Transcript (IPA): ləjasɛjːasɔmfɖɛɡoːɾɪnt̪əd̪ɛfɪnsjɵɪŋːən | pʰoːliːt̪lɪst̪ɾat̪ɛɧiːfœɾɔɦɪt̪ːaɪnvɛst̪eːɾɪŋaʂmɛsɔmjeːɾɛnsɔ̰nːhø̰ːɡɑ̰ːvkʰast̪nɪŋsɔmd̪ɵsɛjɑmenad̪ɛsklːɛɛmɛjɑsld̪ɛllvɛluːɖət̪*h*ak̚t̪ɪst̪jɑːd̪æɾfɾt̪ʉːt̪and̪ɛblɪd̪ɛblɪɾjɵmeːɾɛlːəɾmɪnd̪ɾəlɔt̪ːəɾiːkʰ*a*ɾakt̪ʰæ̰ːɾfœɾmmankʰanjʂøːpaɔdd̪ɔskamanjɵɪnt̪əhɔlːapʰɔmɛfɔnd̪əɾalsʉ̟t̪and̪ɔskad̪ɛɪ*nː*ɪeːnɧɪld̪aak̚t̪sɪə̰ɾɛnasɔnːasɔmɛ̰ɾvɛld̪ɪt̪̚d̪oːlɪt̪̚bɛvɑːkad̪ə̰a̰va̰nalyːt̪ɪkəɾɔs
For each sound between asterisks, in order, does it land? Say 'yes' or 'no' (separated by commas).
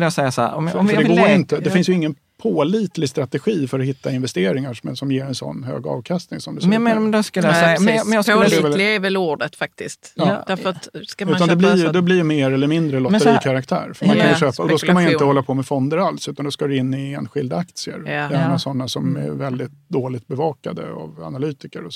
no, yes, yes